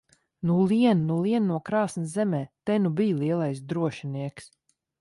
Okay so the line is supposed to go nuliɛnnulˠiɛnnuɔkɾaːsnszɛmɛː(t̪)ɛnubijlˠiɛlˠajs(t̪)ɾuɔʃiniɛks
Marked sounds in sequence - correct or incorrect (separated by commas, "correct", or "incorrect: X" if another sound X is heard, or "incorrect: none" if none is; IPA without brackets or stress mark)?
correct, incorrect: d̪